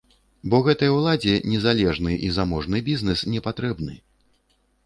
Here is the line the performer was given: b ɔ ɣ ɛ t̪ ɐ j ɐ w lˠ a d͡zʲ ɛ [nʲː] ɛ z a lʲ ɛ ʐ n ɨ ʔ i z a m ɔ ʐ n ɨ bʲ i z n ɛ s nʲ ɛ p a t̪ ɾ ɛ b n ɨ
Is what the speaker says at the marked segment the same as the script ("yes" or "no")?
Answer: no